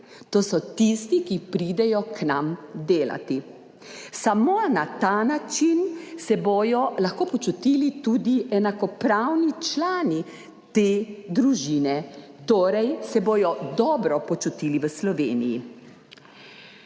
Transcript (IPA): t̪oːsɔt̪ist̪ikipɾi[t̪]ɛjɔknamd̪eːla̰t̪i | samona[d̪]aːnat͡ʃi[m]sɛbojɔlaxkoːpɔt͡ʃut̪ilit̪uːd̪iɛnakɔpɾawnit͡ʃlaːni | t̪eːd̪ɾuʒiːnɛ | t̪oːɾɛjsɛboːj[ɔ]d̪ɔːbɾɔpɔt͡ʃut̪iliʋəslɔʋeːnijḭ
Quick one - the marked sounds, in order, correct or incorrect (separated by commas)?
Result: incorrect, incorrect, incorrect, correct